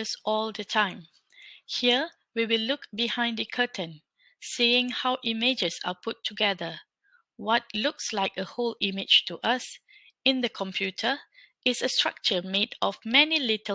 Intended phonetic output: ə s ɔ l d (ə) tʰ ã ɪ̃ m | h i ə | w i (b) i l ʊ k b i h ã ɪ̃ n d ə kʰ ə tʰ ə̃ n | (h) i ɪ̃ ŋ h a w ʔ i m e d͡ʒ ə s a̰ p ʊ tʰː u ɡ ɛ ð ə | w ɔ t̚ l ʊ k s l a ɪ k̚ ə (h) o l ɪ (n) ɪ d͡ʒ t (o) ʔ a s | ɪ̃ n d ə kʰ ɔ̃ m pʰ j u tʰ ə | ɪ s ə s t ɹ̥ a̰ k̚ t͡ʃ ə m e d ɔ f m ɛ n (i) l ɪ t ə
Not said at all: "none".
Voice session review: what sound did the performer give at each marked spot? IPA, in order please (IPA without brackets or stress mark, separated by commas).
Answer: ə, w, s, h, m, u, i